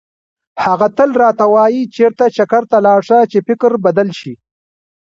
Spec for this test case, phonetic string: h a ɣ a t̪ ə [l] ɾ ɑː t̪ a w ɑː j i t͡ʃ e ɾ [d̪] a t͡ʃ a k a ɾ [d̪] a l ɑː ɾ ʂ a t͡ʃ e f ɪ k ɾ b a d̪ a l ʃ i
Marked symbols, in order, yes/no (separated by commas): yes, no, no